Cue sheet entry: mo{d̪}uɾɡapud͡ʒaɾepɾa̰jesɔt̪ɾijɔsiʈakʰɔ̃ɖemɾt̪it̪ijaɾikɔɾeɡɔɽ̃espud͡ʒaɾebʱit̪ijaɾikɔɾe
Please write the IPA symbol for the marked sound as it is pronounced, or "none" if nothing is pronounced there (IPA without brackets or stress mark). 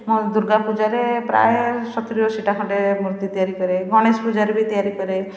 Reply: d̪